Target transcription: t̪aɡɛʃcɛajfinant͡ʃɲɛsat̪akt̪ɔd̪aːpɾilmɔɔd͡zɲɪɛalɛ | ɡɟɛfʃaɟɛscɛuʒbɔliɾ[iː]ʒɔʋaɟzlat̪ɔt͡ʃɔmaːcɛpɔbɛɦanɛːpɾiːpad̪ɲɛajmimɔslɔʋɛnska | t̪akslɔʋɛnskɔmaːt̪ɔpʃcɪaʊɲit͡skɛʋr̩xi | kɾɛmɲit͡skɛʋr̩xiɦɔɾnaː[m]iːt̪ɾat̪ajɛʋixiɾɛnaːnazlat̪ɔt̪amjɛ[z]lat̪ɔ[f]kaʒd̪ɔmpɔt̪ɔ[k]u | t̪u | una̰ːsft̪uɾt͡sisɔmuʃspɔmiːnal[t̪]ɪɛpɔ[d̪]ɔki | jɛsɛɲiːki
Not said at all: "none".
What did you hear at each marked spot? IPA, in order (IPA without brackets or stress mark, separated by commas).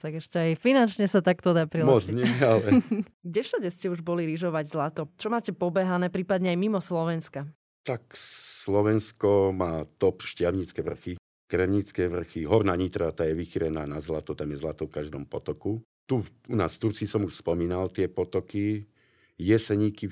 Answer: i, ɲ, z, f, k, t̪, t̪